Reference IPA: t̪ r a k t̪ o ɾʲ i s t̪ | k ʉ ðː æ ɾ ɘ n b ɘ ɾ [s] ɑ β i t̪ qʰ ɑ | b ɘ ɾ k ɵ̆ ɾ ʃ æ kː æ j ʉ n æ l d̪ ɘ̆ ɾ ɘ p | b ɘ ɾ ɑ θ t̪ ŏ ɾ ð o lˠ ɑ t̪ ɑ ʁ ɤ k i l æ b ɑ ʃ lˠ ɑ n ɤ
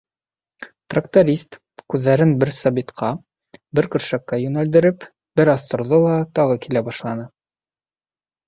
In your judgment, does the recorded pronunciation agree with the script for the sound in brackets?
yes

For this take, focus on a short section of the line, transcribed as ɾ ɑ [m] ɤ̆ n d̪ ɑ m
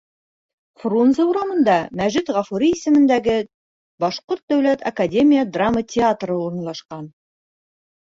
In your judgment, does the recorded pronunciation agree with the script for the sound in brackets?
yes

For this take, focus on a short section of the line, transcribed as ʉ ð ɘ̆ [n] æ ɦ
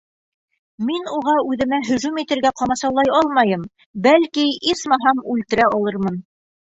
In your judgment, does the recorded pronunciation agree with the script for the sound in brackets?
no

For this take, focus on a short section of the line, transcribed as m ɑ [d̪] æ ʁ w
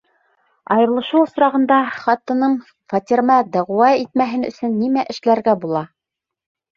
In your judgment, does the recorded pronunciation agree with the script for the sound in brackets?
yes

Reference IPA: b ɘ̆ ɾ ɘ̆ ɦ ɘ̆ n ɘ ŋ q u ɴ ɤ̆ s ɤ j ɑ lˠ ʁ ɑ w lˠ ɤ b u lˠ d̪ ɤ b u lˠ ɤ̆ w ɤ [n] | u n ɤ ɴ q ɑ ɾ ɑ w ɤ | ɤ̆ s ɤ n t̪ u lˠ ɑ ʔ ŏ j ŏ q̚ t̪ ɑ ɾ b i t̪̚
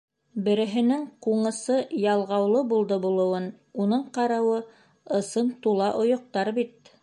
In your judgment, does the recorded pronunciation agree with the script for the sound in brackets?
yes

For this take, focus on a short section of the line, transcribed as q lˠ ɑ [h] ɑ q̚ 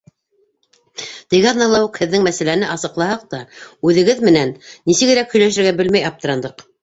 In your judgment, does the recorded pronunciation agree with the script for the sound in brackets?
yes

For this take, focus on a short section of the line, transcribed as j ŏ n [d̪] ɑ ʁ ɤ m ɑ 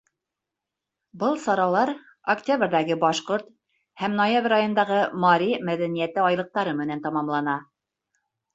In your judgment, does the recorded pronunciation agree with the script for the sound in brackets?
yes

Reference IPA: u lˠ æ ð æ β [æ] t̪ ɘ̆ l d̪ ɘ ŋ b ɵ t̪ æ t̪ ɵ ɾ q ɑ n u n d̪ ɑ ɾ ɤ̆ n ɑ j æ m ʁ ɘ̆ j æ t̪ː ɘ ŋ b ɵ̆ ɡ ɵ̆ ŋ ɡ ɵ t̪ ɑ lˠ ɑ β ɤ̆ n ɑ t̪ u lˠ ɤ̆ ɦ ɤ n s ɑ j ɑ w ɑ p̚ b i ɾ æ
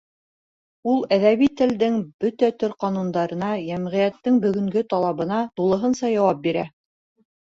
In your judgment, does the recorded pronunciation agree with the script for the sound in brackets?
no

